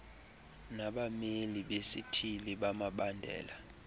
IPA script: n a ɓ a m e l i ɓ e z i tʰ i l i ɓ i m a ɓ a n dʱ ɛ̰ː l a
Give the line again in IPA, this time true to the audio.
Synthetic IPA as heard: n a ɓ a m e l i ɓ e s i tʰ i l i ɓ a m a ɓ a n dʱ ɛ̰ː l a